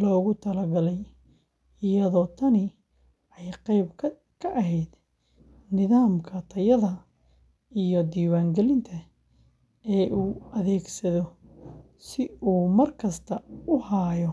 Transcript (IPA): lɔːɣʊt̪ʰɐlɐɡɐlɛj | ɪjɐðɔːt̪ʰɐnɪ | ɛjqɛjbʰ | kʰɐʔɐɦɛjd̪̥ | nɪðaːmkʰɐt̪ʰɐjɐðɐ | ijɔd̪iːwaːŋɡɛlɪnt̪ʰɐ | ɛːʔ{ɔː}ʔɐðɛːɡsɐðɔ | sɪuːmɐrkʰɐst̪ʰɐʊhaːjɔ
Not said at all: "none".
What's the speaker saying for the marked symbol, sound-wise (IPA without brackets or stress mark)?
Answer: uː